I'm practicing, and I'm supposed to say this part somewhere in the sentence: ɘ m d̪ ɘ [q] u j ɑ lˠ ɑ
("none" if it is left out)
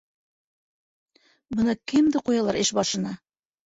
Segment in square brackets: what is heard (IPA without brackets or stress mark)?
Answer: q